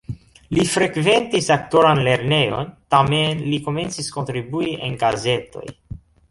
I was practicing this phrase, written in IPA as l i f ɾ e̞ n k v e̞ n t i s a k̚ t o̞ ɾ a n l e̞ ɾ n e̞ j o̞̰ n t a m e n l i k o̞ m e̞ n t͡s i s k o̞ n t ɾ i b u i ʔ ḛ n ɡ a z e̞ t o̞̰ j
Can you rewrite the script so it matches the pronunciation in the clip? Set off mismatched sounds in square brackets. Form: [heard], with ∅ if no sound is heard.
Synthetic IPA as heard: l i f ɾ e̞ [∅] k v e̞ n t i s a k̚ t o̞ ɾ a n l e̞ ɾ n e̞ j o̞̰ n t a m e n l i k o̞ m e̞ n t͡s i s k o̞ n t ɾ i b u i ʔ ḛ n ɡ a z e̞ t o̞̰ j